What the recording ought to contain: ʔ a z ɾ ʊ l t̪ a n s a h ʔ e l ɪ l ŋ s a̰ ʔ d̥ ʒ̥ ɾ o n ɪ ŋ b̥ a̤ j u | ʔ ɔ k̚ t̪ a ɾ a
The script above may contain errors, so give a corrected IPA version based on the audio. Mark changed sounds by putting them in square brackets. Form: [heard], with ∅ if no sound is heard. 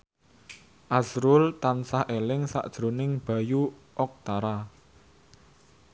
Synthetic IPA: ʔ a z ɾ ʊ l t̪ a n s a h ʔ e l ɪ [∅] ŋ s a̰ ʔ d̥ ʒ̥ ɾ o n ɪ ŋ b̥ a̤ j u | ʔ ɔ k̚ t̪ a ɾ a